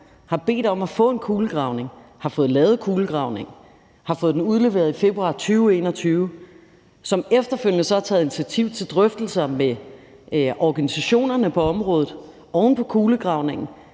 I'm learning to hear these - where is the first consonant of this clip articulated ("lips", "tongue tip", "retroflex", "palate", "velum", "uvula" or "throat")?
throat